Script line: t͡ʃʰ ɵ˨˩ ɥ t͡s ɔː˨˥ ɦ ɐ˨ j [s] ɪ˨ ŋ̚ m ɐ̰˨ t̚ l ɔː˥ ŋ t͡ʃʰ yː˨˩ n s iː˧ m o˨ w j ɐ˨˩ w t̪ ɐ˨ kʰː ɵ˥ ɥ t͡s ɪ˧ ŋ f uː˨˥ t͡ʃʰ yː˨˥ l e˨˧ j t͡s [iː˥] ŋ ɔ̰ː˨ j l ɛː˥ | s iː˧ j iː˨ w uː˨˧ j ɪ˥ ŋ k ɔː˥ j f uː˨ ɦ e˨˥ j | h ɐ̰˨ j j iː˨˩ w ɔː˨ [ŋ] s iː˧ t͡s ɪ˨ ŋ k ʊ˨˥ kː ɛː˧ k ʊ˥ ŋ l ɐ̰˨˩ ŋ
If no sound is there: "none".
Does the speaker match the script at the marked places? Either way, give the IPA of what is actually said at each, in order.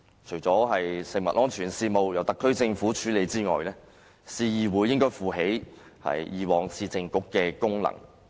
s, iː˥, ŋ

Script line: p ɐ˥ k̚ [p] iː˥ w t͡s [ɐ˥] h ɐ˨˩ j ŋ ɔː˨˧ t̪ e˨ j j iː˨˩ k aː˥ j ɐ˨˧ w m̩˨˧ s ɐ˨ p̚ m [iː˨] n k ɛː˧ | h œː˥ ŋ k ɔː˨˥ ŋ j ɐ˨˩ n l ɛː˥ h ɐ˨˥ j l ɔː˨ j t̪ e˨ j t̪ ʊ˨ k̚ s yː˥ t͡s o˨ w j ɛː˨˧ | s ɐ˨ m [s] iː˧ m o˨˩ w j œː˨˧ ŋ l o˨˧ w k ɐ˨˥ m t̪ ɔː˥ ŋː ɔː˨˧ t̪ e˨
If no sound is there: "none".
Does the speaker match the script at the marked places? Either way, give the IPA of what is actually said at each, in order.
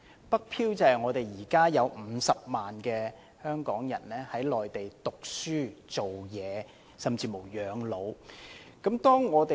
pʰ, ɐ˨, aː˨, t͡s

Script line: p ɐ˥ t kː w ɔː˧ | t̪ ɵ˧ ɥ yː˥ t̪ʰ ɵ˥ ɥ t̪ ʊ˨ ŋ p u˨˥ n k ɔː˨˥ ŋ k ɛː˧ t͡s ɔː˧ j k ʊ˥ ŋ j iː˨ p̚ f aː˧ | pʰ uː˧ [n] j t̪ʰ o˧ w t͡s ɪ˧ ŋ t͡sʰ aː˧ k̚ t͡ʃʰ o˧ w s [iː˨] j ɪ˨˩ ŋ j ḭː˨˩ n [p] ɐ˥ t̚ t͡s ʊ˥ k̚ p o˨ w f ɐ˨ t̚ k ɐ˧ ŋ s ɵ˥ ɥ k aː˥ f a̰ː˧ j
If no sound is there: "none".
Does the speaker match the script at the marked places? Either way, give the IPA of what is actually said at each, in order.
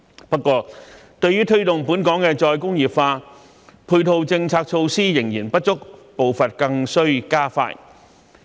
none, iː˥, p

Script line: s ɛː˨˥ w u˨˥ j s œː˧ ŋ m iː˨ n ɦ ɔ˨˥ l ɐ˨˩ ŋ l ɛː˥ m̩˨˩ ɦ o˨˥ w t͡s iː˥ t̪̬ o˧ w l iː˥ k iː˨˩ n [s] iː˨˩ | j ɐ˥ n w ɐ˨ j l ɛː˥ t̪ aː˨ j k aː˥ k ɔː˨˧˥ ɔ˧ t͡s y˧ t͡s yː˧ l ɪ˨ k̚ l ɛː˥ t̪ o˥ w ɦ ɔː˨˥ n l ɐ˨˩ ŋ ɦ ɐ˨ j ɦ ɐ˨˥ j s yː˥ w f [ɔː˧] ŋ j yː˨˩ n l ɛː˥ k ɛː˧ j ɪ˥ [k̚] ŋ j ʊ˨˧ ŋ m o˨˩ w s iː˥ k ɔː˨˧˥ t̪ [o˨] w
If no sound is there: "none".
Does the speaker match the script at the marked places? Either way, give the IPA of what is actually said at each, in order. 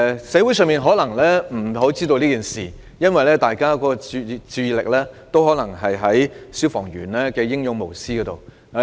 s, ɔː˨˩, none, o˨

